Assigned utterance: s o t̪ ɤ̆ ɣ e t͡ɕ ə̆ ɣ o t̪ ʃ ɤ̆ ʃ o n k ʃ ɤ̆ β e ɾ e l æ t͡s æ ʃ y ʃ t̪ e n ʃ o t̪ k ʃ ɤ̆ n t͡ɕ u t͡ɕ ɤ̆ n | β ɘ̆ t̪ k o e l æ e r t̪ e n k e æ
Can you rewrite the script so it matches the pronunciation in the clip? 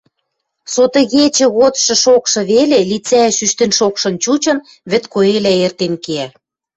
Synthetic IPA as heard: s o t̪ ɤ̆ ɣ e t͡ɕ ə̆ ɣ o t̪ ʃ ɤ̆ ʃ o k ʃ ɤ̆ β e l e l i t͡s æ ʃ y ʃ t̪ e n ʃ o k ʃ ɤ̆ n t͡ɕ u t͡ɕ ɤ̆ n | β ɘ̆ t̪ k o e l æ e r t̪ e n k e æ